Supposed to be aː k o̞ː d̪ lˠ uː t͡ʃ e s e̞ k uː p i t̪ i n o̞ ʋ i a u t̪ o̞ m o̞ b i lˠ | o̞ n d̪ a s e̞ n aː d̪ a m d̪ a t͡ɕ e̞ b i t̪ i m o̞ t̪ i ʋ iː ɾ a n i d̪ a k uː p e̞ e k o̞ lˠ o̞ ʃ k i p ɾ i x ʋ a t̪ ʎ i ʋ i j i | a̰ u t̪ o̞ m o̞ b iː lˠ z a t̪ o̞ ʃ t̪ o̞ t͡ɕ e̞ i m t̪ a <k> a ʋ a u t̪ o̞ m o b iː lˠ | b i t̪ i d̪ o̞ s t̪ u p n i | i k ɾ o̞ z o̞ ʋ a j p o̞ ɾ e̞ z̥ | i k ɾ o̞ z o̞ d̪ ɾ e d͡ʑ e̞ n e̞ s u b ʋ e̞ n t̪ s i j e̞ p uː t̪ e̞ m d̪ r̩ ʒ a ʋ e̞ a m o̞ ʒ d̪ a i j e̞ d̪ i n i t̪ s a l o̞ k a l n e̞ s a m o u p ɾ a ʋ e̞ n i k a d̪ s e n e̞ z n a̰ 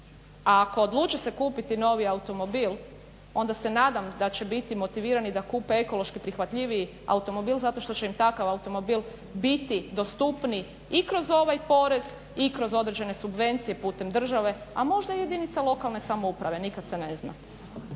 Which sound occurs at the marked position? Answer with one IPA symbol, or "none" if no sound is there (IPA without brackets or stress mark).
k